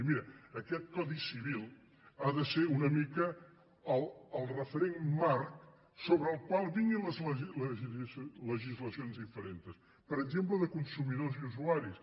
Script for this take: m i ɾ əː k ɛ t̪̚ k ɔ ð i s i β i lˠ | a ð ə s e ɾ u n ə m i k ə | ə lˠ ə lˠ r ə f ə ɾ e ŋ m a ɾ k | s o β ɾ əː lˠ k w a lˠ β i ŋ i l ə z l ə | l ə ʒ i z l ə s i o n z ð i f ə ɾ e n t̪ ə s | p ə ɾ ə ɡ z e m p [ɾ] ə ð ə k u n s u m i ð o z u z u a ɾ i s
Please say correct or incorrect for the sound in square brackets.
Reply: incorrect: l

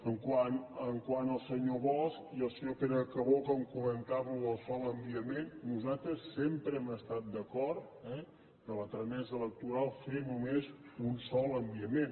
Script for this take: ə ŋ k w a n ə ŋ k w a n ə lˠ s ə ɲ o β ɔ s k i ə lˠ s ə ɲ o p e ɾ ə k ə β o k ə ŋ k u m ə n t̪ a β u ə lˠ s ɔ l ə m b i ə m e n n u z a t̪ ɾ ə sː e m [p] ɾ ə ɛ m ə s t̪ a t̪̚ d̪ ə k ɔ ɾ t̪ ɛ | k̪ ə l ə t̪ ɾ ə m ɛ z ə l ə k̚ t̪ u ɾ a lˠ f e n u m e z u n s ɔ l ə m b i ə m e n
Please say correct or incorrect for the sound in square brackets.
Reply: correct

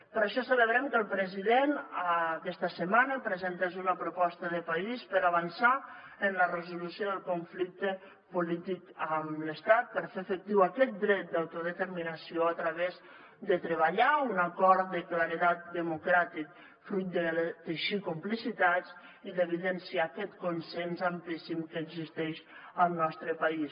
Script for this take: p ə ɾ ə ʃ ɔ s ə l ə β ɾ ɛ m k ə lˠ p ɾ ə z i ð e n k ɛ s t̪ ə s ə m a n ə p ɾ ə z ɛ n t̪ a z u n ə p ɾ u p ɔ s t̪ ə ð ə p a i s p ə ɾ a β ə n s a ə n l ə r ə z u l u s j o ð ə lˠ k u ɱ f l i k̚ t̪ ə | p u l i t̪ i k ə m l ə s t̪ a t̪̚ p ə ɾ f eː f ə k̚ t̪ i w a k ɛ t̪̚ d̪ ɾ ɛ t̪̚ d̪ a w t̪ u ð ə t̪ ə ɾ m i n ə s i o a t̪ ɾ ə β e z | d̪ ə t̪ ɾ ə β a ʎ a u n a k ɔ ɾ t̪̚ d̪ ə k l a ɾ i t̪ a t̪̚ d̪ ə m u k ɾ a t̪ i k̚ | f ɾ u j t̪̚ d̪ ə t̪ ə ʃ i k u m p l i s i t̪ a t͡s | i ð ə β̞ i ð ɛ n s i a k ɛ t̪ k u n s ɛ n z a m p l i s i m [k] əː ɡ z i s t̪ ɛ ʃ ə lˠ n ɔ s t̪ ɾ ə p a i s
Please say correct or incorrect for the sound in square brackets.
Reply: correct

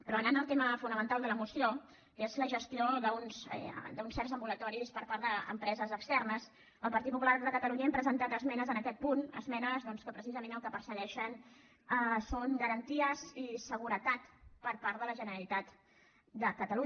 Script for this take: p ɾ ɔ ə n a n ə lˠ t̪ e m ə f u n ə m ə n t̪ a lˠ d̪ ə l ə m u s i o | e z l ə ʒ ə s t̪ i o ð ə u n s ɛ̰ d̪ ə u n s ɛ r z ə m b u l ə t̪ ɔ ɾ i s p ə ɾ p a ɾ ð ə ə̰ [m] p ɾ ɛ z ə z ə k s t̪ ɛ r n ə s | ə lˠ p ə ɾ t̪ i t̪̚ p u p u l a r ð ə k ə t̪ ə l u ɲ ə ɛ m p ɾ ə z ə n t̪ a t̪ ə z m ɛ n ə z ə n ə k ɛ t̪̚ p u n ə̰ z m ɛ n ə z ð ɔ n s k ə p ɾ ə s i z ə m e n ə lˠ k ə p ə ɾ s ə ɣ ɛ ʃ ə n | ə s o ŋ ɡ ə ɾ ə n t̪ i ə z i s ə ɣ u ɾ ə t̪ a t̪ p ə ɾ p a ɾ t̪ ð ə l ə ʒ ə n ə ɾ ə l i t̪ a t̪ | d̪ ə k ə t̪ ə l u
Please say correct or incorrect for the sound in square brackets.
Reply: correct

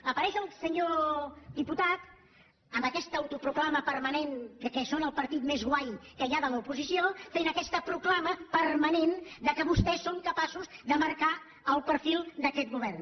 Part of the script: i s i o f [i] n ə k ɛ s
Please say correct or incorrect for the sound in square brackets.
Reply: incorrect: e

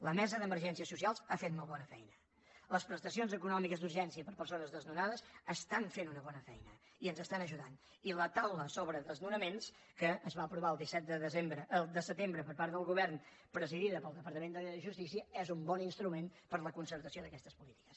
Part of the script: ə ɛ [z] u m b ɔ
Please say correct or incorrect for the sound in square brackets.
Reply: correct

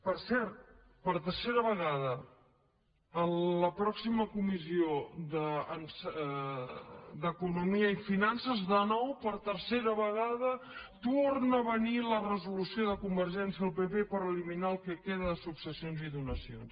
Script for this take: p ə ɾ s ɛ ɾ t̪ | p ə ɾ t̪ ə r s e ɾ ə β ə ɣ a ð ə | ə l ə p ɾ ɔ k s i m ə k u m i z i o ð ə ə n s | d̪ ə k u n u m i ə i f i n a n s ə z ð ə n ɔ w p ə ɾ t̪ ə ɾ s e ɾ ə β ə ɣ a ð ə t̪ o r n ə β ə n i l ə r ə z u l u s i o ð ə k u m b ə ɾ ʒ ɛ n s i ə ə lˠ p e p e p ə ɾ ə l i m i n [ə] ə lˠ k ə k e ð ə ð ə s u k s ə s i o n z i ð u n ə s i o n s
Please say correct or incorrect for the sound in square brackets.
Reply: incorrect: a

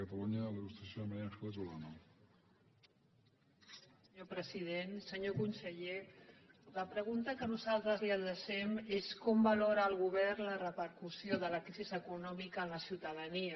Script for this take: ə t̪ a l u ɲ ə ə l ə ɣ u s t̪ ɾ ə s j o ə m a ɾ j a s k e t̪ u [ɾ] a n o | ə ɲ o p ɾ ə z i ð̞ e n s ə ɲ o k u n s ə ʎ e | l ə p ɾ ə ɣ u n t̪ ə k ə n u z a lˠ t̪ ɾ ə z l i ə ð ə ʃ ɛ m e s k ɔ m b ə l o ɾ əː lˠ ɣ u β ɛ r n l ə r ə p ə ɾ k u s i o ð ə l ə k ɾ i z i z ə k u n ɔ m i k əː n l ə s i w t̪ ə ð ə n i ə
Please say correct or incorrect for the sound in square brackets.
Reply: incorrect: l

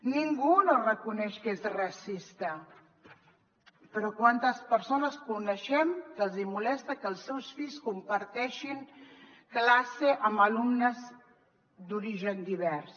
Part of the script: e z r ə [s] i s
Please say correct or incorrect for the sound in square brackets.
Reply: correct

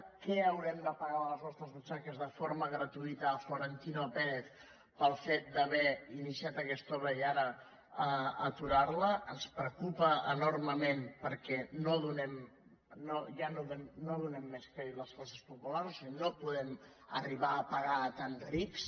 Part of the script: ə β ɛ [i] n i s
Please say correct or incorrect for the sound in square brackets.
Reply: correct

